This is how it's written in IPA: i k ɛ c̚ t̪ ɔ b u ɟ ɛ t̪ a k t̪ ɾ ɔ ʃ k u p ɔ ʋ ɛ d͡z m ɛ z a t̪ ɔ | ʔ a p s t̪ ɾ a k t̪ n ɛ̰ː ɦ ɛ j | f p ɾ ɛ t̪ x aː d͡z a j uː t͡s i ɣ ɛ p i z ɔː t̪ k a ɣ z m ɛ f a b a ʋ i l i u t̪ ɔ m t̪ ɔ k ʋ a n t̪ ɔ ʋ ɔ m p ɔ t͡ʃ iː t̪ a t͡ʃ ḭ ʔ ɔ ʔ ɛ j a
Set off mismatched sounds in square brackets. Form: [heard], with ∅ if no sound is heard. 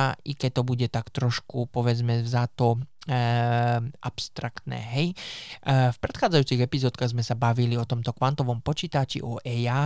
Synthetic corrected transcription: i k ɛ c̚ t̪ ɔ b u ɟ ɛ t̪ a k t̪ ɾ ɔ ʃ k u p ɔ ʋ ɛ d͡z m ɛ z a t̪ ɔ | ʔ a p s t̪ ɾ a k t̪ n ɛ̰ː ɦ ɛ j | f p ɾ ɛ t̪ x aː d͡z a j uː t͡s i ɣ ɛ p i z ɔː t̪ k a ɣ z m ɛ [s] a b a ʋ i l i [ɔ] t̪ ɔ m t̪ ɔ k ʋ a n t̪ ɔ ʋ ɔ m p ɔ t͡ʃ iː t̪ a t͡ʃ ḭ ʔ ɔ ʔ ɛ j a